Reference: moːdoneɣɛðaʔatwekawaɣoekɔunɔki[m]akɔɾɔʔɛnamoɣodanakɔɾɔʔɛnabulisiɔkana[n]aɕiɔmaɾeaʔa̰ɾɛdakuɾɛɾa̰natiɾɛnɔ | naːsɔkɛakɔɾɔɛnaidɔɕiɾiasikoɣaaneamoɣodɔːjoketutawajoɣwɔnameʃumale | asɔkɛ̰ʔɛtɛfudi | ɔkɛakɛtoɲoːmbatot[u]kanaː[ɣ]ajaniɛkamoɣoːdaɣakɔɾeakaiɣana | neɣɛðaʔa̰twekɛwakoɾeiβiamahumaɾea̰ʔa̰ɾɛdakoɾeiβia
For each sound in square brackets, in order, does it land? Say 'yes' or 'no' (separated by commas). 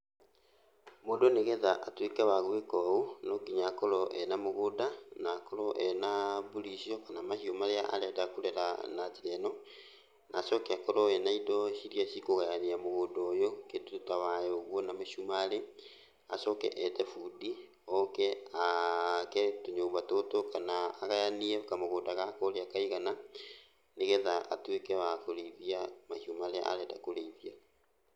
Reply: no, no, no, yes